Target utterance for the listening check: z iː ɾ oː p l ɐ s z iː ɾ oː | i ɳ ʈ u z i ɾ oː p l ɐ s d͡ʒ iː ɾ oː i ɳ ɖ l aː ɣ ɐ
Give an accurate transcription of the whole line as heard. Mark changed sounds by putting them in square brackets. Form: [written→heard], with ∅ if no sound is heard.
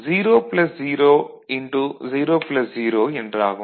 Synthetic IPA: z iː ɾ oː p l ɐ s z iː ɾ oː | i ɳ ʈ u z [i→iː] ɾ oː p l ɐ s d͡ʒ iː ɾ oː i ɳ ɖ [l→ɾ] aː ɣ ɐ